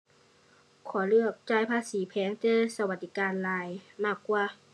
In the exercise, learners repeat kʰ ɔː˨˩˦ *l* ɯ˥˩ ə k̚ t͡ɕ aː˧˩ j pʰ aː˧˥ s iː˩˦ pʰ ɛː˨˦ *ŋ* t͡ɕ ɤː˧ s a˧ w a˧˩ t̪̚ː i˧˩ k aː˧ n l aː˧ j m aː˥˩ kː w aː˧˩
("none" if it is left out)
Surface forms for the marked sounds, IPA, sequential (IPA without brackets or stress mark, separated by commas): l, ŋ